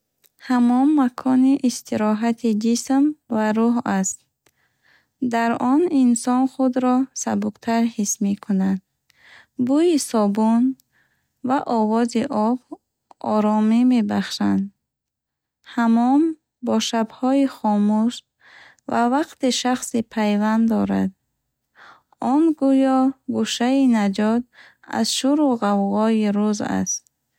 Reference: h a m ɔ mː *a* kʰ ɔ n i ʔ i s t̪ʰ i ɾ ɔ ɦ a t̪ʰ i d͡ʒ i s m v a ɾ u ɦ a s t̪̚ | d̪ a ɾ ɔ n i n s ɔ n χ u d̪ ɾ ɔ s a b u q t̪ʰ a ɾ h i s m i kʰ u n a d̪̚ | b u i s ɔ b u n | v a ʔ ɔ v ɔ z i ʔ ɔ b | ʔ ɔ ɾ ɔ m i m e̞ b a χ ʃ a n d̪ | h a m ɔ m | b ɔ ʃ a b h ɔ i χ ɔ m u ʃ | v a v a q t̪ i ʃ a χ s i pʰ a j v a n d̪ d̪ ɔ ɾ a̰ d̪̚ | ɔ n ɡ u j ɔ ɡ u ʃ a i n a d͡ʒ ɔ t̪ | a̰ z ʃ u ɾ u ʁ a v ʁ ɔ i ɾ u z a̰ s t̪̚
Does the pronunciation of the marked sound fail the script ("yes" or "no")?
no